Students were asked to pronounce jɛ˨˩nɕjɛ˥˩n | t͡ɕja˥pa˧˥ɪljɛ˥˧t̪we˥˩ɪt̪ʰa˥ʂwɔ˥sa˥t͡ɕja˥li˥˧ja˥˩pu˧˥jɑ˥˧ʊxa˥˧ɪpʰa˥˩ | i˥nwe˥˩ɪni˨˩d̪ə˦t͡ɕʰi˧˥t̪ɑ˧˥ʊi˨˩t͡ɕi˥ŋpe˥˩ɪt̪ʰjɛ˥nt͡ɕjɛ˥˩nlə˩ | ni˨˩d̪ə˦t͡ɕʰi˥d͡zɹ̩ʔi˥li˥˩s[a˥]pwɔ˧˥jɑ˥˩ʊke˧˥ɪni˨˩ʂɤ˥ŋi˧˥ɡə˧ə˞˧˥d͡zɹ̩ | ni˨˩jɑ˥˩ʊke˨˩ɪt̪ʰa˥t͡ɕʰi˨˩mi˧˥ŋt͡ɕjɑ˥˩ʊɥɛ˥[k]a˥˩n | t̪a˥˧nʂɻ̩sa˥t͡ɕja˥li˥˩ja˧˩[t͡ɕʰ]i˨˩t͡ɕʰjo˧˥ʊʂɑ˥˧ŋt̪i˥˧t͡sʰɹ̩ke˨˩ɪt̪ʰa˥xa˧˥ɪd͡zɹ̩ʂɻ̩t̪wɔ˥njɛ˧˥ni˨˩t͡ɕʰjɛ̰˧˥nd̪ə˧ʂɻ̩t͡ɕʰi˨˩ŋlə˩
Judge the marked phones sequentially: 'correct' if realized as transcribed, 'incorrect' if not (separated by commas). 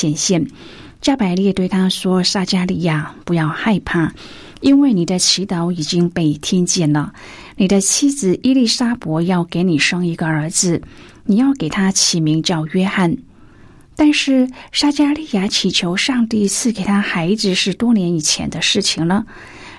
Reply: correct, incorrect, correct